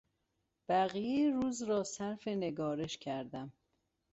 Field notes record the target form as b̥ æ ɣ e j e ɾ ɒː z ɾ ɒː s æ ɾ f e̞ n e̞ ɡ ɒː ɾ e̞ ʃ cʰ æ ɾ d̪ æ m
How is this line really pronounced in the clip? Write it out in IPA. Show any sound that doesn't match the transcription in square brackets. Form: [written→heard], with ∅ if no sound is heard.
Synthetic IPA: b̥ æ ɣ [e→i] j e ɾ [ɒː→uː] z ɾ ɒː s æ ɾ f e̞ n e̞ ɡ ɒː ɾ e̞ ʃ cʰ æ ɾ d̪ æ m